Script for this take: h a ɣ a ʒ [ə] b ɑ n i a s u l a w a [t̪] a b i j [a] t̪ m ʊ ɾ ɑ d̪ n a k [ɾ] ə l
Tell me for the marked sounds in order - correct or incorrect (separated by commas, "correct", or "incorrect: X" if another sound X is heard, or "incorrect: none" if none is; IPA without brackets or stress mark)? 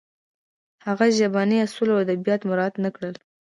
incorrect: a, incorrect: d̪, incorrect: ɑ, incorrect: ɽ